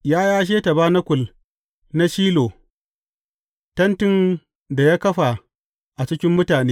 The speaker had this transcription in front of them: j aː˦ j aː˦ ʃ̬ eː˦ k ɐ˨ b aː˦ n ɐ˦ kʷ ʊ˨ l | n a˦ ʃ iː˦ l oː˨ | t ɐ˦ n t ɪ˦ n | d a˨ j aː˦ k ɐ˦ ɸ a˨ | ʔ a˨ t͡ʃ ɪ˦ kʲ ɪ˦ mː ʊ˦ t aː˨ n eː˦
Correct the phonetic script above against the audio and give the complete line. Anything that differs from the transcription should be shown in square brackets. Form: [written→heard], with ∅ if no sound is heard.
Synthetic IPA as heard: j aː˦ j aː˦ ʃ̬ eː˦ [k→t] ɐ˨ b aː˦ n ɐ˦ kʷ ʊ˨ l | n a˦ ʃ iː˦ l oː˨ | t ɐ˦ n t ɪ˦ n | d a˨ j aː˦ k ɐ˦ ɸ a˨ | ʔ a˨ t͡ʃ ɪ˦ kʲ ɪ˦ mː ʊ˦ t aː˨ n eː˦